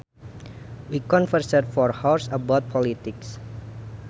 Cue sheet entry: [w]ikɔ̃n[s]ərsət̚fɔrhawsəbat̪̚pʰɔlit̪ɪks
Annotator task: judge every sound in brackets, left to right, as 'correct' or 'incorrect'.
correct, incorrect

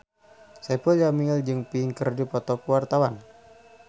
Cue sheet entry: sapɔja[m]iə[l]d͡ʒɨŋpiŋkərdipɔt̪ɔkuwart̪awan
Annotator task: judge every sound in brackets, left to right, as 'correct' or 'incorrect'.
correct, correct

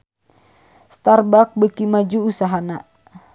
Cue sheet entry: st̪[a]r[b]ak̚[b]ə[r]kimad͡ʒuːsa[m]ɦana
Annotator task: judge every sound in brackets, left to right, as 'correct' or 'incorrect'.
correct, correct, correct, incorrect, incorrect

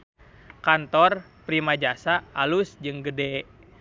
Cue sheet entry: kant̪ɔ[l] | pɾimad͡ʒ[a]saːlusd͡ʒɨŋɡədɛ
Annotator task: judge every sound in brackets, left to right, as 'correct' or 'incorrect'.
incorrect, correct

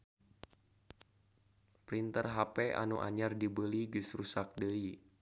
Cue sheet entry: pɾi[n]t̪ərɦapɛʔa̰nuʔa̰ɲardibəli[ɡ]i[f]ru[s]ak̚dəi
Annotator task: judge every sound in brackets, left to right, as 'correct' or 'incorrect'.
correct, correct, incorrect, correct

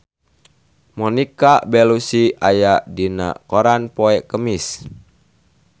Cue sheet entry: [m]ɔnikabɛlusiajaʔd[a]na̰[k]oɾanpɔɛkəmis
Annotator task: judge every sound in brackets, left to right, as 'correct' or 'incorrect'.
correct, incorrect, correct

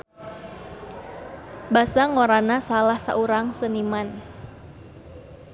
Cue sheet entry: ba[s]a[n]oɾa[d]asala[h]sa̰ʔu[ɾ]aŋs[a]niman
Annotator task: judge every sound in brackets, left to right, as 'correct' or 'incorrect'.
correct, incorrect, incorrect, correct, correct, incorrect

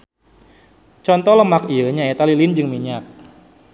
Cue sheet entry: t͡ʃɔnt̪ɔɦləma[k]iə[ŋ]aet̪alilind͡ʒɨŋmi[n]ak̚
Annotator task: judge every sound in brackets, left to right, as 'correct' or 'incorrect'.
correct, incorrect, incorrect

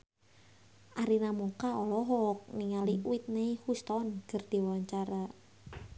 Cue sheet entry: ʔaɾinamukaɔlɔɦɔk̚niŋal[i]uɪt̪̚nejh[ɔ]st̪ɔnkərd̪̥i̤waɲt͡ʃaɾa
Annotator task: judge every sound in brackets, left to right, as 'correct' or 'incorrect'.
correct, incorrect

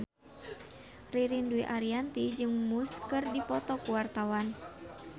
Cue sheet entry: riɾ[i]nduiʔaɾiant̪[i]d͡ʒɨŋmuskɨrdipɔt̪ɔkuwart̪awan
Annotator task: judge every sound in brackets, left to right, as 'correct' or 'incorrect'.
correct, correct

